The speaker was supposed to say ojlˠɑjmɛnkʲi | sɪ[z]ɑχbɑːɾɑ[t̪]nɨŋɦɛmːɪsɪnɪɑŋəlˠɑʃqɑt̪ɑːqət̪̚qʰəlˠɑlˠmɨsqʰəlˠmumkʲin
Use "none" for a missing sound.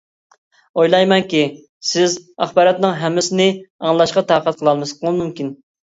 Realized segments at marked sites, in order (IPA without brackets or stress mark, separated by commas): z, t̪